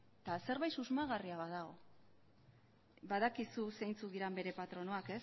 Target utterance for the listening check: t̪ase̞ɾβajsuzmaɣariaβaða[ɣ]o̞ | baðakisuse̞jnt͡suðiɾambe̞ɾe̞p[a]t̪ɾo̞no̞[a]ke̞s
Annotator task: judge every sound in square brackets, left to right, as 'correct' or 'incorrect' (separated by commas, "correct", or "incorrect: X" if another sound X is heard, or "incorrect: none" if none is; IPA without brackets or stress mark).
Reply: correct, correct, correct